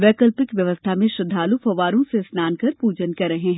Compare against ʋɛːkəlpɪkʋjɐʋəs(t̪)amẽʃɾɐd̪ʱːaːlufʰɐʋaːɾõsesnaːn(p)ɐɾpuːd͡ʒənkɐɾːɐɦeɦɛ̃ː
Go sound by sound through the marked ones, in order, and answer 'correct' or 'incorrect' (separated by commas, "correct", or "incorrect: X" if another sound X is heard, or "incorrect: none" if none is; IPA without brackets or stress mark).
incorrect: t̪ʰ, incorrect: k